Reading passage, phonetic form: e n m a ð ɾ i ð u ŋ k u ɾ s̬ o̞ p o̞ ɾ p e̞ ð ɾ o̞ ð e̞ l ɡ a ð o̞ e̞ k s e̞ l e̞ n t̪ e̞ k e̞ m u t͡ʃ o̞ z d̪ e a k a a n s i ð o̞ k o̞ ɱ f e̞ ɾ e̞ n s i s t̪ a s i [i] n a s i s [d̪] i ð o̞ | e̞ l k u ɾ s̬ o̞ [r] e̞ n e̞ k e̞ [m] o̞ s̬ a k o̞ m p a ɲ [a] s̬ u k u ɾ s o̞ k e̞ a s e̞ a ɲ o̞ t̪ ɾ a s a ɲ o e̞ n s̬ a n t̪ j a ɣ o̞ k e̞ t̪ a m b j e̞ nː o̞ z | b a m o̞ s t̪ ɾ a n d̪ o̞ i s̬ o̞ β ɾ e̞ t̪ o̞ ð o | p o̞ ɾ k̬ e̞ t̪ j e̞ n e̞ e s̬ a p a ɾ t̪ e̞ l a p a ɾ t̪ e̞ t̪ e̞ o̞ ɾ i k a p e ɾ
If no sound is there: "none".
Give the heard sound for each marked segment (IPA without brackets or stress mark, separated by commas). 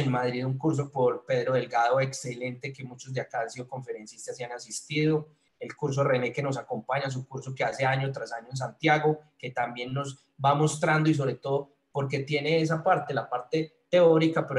a, t̪, r, n, a